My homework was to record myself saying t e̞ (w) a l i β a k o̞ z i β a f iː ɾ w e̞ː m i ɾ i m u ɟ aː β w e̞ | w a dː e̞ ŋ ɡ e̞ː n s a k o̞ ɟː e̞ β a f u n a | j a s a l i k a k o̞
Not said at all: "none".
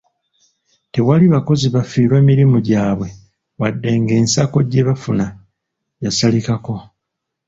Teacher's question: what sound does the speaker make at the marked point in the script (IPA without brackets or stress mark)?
w